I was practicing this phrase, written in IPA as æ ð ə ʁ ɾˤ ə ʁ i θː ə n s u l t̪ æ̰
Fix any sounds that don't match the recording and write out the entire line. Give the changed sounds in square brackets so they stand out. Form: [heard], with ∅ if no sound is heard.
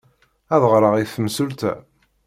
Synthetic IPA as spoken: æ ð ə ʁ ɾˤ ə ʁ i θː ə [m] s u l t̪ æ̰